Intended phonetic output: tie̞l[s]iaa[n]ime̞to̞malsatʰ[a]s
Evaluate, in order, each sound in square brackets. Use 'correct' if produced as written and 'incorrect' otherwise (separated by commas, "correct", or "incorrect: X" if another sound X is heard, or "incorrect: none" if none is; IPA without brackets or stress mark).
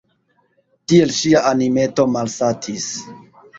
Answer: incorrect: ʃ, correct, incorrect: i